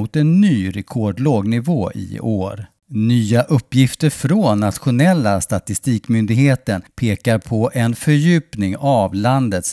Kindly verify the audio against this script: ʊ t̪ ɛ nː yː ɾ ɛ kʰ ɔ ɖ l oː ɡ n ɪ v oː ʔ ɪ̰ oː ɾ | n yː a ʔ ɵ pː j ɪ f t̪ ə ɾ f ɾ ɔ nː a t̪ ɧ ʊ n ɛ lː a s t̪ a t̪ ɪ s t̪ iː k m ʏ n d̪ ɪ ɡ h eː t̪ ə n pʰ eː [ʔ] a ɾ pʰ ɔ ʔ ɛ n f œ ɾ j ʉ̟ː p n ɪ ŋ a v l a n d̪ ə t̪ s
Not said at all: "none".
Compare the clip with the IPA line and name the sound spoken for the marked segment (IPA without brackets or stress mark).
k